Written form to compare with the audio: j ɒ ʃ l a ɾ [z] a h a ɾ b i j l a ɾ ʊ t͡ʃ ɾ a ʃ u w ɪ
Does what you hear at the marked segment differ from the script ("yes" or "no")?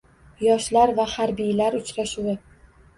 yes